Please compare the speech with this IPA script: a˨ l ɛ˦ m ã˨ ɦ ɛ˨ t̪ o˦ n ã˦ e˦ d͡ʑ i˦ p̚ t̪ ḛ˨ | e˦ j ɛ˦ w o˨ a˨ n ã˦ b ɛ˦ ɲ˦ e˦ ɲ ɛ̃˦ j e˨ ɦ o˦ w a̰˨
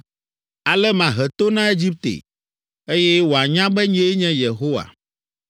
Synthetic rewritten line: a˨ l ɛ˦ m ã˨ ɦ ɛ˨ t̪ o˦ n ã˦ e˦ d͡ʑ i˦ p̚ t̪ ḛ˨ | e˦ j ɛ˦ w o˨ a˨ ɲ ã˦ b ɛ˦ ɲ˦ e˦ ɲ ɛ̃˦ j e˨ ɦ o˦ w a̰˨